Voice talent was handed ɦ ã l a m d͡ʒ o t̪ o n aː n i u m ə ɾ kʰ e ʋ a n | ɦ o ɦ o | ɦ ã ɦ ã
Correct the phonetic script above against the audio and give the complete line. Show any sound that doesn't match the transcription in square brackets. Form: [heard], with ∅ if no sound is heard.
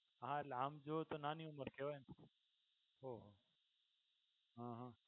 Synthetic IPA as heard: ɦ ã l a m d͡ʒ o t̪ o n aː n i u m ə ɾ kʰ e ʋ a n | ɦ o ɦ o | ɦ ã ɦ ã